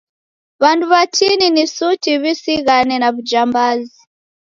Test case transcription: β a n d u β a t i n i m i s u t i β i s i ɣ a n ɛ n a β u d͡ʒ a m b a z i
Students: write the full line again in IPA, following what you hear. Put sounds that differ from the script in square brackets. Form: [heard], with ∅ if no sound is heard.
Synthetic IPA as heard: β a n d u β a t i n i [n] i s u t i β i s i ɣ a n ɛ n a β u d͡ʒ a m b a z i